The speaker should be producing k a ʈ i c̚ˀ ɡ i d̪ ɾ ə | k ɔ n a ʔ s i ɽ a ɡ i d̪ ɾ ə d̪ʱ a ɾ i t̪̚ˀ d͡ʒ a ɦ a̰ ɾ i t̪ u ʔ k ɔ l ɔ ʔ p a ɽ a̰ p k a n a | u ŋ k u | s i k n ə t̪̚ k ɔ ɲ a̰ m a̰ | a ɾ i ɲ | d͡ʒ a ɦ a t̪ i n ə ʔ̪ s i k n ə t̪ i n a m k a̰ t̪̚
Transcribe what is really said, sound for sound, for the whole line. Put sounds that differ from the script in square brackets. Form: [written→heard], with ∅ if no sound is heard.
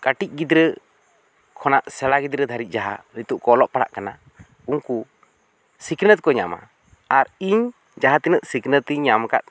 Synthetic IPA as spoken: k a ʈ i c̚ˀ ɡ i d̪ ɾ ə | [k→kʰ] ɔ n a ʔ s [i→ɛ] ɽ a ɡ i d̪ ɾ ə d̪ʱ a ɾ i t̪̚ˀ d͡ʒ a ɦ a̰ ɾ i t̪ u ʔ k ɔ l ɔ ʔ p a ɽ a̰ [p→ʔ] k a n a | u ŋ k u | s i k n ə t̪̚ k ɔ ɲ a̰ m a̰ | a ɾ i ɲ | d͡ʒ a ɦ a t̪ i n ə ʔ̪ s i k n ə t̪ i [n→ɲ] a m k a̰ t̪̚

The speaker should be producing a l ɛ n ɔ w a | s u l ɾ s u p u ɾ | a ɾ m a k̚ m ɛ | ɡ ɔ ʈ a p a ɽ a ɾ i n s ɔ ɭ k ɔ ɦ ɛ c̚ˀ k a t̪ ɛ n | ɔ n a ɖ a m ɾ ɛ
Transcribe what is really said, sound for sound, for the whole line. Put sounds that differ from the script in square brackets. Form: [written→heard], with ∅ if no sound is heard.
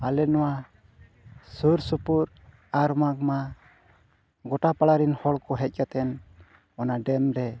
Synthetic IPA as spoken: a l ɛ n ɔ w a | s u [l→∅] ɾ s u p u ɾ | a ɾ m a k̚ m [ɛ→a] | ɡ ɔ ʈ a p a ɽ a ɾ i n [s→h] ɔ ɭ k ɔ ɦ ɛ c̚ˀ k a t̪ ɛ n | ɔ n a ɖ [a→ɛ] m ɾ ɛ

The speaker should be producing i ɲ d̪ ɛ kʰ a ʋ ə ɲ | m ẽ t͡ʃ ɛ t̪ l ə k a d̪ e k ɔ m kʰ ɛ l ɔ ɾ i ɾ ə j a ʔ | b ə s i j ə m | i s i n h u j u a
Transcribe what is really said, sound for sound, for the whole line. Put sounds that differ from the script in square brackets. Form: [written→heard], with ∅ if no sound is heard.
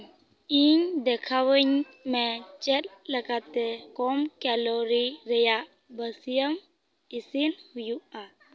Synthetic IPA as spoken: i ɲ d̪ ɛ kʰ a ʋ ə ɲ | m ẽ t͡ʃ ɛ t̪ l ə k a [d̪→t̪] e k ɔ m [kʰ→k] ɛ l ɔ ɾ i ɾ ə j a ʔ | b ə s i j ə m | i s i n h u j u a

